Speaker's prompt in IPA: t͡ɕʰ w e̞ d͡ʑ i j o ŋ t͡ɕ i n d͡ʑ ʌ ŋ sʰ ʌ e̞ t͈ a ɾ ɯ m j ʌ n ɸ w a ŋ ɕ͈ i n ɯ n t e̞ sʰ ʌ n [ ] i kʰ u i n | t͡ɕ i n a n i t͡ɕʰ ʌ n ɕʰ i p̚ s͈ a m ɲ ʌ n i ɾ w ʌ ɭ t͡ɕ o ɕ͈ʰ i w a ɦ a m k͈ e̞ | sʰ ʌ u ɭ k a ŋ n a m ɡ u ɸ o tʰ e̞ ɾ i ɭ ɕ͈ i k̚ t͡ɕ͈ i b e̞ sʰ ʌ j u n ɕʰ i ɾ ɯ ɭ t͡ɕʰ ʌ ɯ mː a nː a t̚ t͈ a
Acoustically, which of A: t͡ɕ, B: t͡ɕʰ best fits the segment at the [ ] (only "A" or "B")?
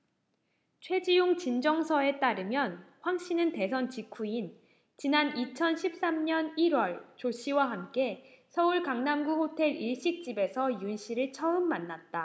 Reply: A